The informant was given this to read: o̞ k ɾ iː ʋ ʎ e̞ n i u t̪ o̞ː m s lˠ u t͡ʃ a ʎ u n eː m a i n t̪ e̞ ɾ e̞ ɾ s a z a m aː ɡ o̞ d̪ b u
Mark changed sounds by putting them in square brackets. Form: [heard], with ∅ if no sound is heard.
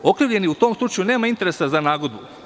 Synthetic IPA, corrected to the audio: o̞ k ɾ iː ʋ ʎ e̞ n i u t̪ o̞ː m s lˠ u t͡ʃ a [j] u n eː m a i n t̪ e̞ ɾ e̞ [∅] s a z a [n] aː ɡ o̞ d̪ b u